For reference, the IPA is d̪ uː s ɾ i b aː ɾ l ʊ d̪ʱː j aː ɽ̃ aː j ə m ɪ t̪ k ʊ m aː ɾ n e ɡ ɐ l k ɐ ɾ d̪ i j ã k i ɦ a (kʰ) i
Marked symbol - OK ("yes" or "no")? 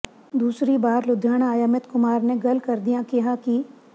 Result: no